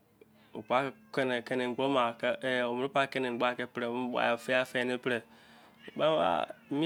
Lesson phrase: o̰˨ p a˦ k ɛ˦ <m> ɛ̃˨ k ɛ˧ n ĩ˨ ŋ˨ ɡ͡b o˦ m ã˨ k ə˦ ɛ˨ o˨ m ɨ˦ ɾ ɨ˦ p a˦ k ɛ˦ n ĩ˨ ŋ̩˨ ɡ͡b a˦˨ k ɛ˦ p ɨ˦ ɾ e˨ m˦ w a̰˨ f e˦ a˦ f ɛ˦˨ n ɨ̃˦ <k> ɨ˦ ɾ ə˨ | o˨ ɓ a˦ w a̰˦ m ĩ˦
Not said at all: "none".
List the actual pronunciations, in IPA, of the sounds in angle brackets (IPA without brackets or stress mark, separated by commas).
n, p